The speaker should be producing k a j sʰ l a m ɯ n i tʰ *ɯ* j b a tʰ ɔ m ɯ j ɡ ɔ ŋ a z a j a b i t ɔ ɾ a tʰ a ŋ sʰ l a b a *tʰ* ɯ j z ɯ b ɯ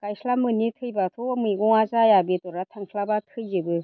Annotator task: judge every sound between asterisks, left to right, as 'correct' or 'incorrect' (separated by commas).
correct, correct